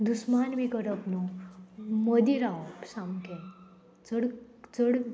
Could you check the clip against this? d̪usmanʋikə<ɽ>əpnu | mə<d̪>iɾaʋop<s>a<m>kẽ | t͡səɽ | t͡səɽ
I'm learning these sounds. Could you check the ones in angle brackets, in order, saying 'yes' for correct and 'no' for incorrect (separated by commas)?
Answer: no, yes, yes, yes